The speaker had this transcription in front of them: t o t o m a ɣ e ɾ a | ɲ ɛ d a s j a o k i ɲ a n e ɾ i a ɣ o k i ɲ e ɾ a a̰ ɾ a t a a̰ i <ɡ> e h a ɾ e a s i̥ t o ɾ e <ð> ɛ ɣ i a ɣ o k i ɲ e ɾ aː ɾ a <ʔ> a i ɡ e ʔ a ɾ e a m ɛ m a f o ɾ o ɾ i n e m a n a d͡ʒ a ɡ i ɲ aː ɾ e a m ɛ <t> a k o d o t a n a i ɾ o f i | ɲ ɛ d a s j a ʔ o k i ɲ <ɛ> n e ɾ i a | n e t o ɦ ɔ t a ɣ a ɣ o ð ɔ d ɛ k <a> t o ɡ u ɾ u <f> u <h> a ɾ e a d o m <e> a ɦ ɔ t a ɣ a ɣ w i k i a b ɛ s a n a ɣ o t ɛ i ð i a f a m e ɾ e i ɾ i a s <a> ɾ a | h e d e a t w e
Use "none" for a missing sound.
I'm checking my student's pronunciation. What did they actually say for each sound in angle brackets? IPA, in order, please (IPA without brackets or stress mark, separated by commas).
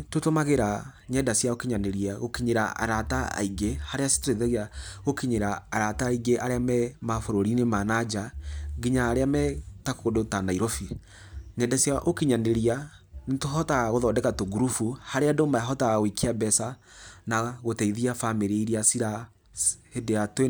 ɡ, ð, t, t, a, a, f, h, a, i